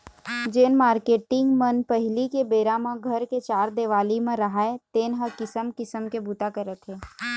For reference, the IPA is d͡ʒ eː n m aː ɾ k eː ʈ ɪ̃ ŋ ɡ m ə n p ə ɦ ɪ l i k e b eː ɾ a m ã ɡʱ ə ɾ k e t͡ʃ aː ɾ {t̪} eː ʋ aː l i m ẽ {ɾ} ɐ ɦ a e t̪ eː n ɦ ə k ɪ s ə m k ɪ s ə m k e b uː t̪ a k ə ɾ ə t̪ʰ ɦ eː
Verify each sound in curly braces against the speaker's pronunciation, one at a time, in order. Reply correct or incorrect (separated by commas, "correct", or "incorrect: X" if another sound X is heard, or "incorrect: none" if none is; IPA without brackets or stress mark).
incorrect: d̪, correct